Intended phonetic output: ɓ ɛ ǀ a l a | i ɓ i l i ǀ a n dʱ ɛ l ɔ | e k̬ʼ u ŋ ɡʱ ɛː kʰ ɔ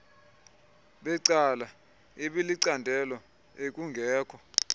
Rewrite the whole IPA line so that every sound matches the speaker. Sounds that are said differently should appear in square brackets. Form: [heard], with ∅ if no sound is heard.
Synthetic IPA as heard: ɓ ɛ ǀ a l a | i ɓ i l i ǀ a n dʱ ɛ l ɔ | e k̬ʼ u ŋ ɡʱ ɛː kʰ ɔ